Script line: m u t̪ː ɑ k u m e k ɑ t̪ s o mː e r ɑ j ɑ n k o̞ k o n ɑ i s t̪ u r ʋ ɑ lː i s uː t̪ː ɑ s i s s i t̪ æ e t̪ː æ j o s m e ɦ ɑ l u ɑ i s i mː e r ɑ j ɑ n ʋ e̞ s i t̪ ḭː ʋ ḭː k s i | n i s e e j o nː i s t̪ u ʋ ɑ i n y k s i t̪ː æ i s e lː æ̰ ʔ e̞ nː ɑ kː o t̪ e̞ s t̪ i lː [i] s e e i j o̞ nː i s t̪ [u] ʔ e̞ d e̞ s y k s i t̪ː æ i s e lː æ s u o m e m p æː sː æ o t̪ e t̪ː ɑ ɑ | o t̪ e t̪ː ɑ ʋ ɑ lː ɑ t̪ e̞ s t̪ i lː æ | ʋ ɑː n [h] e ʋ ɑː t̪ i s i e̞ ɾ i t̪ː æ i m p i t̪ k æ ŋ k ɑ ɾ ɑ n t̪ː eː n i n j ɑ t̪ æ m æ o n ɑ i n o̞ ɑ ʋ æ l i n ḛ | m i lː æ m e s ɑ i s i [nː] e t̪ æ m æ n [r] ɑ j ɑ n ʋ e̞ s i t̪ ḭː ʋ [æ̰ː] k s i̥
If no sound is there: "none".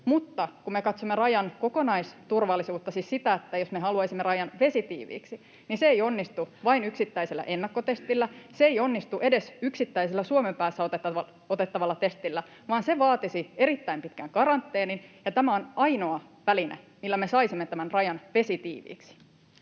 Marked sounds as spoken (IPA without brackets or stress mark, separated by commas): æ, u, s, mː, r, ḭː